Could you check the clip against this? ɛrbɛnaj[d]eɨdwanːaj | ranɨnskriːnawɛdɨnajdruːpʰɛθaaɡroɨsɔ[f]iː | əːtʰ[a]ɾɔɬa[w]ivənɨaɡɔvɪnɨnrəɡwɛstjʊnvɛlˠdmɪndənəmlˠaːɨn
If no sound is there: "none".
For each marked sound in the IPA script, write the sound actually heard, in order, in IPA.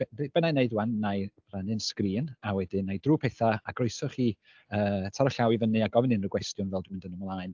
n, χ, a, w

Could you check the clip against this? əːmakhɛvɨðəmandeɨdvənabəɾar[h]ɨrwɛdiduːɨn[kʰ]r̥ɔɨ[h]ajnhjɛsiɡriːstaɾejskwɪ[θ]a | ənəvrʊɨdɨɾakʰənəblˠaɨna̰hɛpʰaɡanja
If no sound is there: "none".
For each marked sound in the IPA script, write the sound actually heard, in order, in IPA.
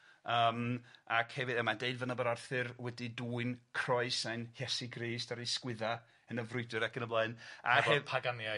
θ, kʰ, s, ð

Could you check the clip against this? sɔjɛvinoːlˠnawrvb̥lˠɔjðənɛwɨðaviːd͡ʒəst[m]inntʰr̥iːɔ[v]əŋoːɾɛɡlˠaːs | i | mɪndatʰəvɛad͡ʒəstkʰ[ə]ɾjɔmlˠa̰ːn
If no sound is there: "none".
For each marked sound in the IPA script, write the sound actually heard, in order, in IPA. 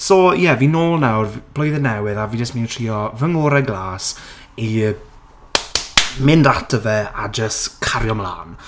m, v, a

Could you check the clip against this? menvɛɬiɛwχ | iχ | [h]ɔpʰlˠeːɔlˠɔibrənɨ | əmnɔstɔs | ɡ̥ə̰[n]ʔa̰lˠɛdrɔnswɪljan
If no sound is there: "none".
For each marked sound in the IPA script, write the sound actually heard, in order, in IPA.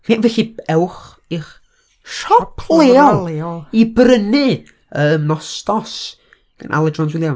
ʃ, n

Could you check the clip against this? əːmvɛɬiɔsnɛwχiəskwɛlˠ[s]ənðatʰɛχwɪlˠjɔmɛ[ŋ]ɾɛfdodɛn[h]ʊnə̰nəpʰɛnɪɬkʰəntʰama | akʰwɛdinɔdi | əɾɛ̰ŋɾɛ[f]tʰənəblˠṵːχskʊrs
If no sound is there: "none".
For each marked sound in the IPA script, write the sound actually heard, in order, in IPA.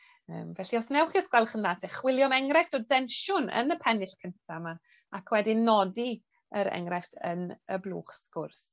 χ, ŋ, ʃ, f

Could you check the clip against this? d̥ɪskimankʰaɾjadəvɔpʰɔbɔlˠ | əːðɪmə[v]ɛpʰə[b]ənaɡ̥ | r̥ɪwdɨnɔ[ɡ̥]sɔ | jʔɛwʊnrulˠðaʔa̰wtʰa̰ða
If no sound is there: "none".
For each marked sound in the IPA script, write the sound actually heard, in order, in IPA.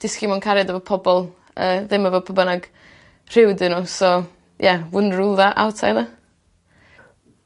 v, b, none

